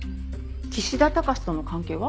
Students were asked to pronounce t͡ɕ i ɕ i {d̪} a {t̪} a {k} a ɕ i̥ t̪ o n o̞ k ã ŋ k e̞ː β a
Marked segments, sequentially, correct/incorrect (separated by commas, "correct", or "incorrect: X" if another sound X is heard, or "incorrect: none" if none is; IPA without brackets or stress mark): correct, correct, correct